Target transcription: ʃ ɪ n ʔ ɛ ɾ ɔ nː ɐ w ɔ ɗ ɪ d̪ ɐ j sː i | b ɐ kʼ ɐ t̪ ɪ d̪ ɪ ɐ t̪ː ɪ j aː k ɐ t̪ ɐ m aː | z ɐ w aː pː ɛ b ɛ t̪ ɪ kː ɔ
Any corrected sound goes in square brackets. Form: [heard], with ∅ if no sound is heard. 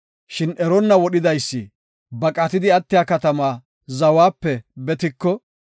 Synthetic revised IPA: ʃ ɪ n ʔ ɛ ɾ ɔ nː ɐ w ɔ ɗ ɪ d̪ ɐ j sː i | b ɐ kʼ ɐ t̪ ɪ d̪ ɪ ɐ t̪ː ɪ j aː k ɐ t̪ ɐ m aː | z ɐ w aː pː ɛ b ɛ t̪ ɪ kː ɔ